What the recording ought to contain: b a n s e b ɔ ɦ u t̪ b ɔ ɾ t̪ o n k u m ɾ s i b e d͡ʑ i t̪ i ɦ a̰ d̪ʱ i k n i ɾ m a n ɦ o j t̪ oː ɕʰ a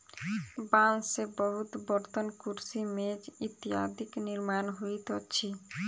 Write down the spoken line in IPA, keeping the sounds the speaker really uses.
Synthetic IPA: b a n s e b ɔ ɦ u t̪ b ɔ ɾ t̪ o n k u ɾ s i m e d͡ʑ i t̪ i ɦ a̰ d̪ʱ i k n i ɾ m a n ɦ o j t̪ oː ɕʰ i

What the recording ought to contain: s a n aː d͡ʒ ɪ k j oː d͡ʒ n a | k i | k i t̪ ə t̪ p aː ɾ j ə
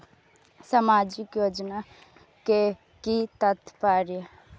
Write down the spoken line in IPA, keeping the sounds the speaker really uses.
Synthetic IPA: s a m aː d͡ʒ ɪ k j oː d͡ʒ n a | k e | k i t̪ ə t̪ p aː ɾ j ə

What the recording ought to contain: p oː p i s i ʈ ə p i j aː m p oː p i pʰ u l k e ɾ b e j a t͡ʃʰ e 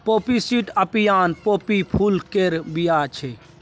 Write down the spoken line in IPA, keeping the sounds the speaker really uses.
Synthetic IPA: p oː p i s i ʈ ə p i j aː n p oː p i pʰ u l k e ɾ b i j a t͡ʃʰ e

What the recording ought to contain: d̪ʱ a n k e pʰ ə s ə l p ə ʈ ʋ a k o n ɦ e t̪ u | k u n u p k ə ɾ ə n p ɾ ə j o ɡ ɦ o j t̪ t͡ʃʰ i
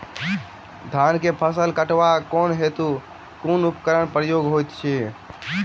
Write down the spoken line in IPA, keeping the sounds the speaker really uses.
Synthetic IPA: d̪ʱ a n k e pʰ ə s ə l k ə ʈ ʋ a k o n ɦ e t̪ u | k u n u p k ə ɾ ə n p ɾ ə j o ɡ ɦ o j t̪ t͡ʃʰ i

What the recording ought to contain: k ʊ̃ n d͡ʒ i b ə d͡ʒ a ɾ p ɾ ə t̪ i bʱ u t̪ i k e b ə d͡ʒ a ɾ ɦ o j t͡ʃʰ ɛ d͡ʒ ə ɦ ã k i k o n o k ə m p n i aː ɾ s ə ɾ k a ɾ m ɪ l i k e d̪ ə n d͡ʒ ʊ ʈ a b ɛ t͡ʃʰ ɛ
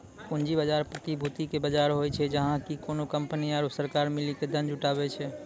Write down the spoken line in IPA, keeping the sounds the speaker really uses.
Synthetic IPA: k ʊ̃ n d͡ʒ i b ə d͡ʒ a ɾ p ɾ ə t̪ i bʱ u t̪ i k e b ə d͡ʒ a ɾ ɦ o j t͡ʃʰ ɛ d͡ʒ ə ɦ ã k i k o n o k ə m p n i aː ɾ s ə ɾ k a ɾ m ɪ l i k e d̪ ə n d͡ʒ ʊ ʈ a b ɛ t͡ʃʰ ɛ

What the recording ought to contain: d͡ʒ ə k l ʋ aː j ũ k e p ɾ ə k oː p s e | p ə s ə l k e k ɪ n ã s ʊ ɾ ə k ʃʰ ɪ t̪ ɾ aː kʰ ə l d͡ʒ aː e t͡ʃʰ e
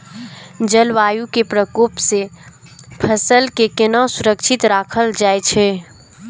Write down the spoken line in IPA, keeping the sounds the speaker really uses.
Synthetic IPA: d͡ʒ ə l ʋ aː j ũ k e p ɾ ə k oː p s e | pʰ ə s ə l k e k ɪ n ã s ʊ ɾ ə k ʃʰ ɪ t̪ ɾ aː kʰ ə l d͡ʒ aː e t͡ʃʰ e

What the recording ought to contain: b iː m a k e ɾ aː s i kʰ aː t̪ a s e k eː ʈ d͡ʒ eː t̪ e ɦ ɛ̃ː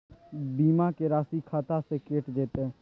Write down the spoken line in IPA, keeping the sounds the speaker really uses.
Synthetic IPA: b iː m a k e ɾ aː s i kʰ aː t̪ a s e k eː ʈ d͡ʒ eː t̪ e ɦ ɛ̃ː

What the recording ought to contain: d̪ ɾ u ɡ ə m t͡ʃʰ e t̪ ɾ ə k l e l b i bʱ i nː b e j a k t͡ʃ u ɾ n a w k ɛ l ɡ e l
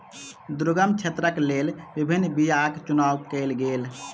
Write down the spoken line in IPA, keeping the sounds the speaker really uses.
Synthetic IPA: d̪ ɾ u ɡ ə m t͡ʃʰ e t̪ ɾ ə k l e l b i bʱ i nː b i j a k t͡ʃ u n a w k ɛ l ɡ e l

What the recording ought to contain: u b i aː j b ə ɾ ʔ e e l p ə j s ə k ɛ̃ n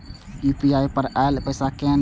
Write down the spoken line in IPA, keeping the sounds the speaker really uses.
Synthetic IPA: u p i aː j p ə ɾ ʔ a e l p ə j s a k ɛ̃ n

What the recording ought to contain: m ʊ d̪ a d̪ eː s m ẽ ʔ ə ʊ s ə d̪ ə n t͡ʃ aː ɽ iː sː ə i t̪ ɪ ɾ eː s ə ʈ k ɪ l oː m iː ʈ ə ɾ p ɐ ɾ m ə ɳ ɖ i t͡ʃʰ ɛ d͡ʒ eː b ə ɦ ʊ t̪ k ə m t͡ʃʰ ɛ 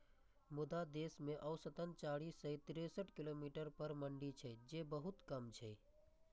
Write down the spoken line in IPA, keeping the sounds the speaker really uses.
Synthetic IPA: m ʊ d̪ a d̪ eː s m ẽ ʔ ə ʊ s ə t̪ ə n t͡ʃ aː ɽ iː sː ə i t̪ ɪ ɾ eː s ə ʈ k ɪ l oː m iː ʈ ə ɾ p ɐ ɾ m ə ɳ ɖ i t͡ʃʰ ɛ d͡ʒ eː b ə ɦ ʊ t̪ k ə m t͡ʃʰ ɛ

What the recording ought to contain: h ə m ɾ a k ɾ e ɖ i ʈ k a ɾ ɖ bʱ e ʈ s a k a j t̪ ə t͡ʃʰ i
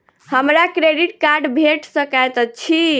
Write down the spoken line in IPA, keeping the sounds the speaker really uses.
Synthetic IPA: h ə m ɾ a k ɾ e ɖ i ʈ k a ɾ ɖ bʱ e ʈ s ə k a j t̪ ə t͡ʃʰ i

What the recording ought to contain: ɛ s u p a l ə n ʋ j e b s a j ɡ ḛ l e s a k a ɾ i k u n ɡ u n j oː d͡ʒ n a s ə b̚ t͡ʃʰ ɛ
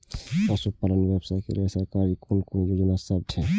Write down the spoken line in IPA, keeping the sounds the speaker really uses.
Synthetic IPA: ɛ s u p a l ə n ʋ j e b s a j k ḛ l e s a k a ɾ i k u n k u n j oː d͡ʒ n a s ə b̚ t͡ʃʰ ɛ

